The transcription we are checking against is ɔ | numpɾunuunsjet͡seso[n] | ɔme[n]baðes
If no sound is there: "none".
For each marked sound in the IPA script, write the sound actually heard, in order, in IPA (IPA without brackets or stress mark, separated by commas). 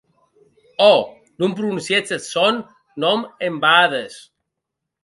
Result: nː, m